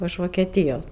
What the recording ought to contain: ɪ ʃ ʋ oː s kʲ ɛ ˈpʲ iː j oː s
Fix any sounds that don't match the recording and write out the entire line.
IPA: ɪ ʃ ʋ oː kʲ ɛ ˈtʲ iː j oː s